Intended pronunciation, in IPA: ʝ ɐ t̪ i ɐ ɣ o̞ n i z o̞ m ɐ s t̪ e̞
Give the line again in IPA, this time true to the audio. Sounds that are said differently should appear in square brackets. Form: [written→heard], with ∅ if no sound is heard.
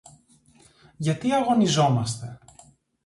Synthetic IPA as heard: ʝ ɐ t̪ i ɐ ɣ o̞ n i z o̞ m ɐ s t̪ e̞

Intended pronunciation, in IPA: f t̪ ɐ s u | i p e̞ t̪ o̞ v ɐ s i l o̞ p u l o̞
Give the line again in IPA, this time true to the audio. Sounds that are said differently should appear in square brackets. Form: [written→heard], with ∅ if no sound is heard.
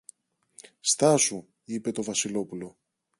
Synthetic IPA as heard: [f→s] t̪ ɐ s u | i p e̞ t̪ o̞ v ɐ s i l o̞ p u l o̞

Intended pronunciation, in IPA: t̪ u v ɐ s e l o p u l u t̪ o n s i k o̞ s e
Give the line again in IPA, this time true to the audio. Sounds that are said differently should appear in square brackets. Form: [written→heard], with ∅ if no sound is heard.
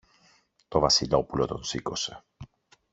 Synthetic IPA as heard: t̪ [u→o] v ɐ s [e→i] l o p u l [u→o] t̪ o n s i k o̞ s e

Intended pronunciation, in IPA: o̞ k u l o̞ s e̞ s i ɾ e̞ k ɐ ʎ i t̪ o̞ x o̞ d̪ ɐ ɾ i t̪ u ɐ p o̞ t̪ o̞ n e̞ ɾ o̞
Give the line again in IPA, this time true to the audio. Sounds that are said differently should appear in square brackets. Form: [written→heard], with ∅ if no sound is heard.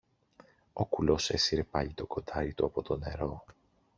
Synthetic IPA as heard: o̞ k u l o̞ s e̞ s i ɾ e̞ [k→p] ɐ ʎ i t̪ o̞ [x→k] o̞ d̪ ɐ ɾ i t̪ u ɐ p o̞ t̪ o̞ n e̞ ɾ o̞

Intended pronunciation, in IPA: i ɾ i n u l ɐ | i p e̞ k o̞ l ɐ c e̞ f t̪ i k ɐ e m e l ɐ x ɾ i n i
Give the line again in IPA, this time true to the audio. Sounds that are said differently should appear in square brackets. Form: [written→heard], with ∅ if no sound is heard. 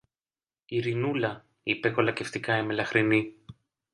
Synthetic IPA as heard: i ɾ i n u l ɐ | i p e̞ k o̞ l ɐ c e̞ f t̪ i k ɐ e m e l ɐ x ɾ i n i

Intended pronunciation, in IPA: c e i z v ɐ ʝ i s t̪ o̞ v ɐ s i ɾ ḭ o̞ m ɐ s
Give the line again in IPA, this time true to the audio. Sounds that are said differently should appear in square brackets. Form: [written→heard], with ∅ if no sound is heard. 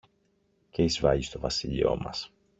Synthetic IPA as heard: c e i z v ɐ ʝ i s t̪ o̞ v ɐ s i [ɾ→ʎ] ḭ o̞ m ɐ s

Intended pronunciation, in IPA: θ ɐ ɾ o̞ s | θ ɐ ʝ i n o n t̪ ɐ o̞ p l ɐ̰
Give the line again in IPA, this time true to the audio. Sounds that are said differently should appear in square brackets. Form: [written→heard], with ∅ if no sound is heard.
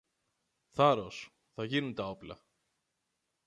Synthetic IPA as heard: θ ɐ ɾ o̞ s | θ ɐ ʝ i n [o→u] n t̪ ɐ o̞ p l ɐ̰

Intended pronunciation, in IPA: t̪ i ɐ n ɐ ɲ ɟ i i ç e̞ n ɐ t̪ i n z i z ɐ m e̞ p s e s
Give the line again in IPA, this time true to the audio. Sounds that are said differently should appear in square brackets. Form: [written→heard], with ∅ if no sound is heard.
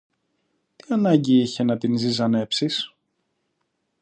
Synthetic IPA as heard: t̪ i ɐ n ɐ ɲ ɟ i i ç e̞ n ɐ t̪ i n z i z ɐ [m→n] e̞ p s [e→i] s

